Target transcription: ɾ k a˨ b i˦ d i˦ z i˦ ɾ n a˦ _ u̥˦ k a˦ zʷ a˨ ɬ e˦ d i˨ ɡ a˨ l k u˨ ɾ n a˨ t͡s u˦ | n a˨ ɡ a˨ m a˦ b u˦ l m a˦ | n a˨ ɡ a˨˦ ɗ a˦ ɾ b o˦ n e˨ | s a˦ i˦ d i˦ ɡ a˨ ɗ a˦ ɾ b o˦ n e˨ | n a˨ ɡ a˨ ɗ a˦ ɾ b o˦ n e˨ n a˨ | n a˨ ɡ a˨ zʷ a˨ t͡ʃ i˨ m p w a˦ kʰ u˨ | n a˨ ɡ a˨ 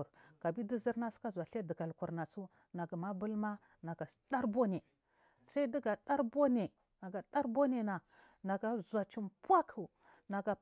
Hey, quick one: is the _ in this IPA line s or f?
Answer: s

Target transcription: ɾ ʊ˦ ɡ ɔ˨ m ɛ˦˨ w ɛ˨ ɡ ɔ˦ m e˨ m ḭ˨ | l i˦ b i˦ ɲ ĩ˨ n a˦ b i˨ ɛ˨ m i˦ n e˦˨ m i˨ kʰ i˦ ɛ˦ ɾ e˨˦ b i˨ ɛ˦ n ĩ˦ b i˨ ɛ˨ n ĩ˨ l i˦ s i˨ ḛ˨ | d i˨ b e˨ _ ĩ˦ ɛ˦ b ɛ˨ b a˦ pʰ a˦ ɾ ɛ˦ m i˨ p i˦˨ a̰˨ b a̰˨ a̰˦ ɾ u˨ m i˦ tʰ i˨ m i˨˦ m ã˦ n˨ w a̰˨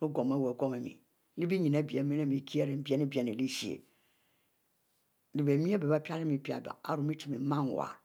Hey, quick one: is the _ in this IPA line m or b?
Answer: m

